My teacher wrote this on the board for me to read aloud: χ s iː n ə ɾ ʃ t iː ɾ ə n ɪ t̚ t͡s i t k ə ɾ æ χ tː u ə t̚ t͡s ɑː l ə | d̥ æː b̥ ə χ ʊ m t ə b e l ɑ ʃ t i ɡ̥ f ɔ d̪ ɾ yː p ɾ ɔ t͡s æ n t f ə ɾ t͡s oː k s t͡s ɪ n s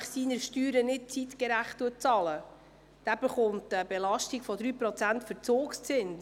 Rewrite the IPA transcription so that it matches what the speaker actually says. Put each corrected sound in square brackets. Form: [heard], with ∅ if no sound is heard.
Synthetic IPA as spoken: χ s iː n ə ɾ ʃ t [yː] ɾ ə n ɪ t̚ t͡s i t k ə ɾ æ χ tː u ə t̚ t͡s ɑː l ə | d̥ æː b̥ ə χ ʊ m t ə b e l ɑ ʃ t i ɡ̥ f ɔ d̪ ɾ yː p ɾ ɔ t͡s æ n t f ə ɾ t͡s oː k s t͡s ɪ n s